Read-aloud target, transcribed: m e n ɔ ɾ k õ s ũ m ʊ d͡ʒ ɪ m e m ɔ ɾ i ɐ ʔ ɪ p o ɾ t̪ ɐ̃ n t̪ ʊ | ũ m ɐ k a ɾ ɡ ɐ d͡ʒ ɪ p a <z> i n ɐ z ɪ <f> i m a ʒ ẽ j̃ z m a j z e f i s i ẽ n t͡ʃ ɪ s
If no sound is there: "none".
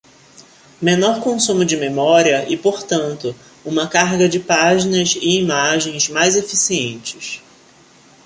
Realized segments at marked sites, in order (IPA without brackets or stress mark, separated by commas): ʒ, none